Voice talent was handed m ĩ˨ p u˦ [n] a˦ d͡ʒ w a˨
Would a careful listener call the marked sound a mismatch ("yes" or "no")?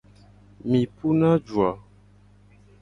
no